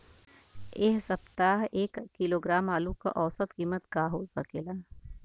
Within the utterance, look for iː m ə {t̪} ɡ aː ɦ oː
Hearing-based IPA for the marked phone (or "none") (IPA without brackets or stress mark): t̪